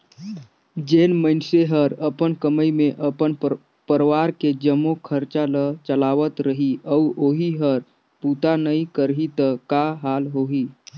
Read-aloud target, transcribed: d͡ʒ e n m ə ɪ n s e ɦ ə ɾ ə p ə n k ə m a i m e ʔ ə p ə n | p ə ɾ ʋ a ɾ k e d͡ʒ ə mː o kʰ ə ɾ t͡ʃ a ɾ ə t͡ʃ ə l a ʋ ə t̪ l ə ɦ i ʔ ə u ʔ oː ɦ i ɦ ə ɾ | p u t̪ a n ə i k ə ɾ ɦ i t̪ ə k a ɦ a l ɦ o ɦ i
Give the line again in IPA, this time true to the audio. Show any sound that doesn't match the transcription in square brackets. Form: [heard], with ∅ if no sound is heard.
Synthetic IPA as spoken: d͡ʒ e n m ə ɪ n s e ɦ ə ɾ ə p ə n k ə m [ə] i m e ʔ ə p ə n | p ə ɾ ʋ a ɾ k e d͡ʒ ə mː o kʰ ə ɾ t͡ʃ a [l] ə t͡ʃ ə l a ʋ ə t̪ [ɾ] ə ɦ i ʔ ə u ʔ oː ɦ i ɦ ə ɾ | p u t̪ a n ə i k ə ɾ ɦ i t̪ ə k a ɦ a l ɦ o ɦ i